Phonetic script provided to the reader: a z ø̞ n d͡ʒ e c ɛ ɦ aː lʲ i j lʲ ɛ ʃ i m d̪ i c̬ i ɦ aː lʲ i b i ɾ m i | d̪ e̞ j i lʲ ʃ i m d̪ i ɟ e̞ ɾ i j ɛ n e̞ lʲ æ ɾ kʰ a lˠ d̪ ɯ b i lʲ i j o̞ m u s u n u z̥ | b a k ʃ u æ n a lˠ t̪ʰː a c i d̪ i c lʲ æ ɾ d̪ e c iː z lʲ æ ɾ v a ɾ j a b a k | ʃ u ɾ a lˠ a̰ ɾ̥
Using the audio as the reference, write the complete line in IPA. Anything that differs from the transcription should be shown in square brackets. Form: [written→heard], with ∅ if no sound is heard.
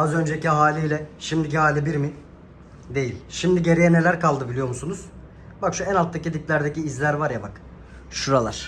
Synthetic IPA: a z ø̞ n d͡ʒ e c [ɛ→i] ɦ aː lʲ i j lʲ ɛ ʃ i m d̪ i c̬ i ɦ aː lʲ i b i ɾ m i | d̪ e̞ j i lʲ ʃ i m d̪ i ɟ e̞ ɾ i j ɛ n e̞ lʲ æ ɾ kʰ a lˠ d̪ ɯ b i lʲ i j o̞ m u s u n u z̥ | b a k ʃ u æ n a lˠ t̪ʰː a c i d̪ i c lʲ æ ɾ d̪ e c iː z lʲ æ ɾ v a ɾ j a b a k | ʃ u ɾ a lˠ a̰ ɾ̥